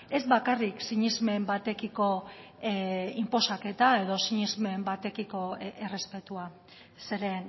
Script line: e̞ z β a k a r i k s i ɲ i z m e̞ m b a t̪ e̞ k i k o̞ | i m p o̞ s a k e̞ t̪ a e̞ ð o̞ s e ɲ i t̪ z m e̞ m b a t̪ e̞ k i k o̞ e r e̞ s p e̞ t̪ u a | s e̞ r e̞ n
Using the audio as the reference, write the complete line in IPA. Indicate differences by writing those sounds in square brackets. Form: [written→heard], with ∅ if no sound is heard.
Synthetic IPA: e̞ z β a k a r i k s i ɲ i z m e̞ m b a t̪ e̞ k i k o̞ | i m p o̞ s a k e̞ t̪ a e̞ ð o̞ s [e→i] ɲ i [t̪→∅] z m e̞ m b a t̪ e̞ k i k o̞ e r e̞ s p e̞ t̪ u a | s e̞ [r→ɾ] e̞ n